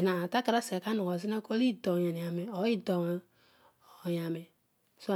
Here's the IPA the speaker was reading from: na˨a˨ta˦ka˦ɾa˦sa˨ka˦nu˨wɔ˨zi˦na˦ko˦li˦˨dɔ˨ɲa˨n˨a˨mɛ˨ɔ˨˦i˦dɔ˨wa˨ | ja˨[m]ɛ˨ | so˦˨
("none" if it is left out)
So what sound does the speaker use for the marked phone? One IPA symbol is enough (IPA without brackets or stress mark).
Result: m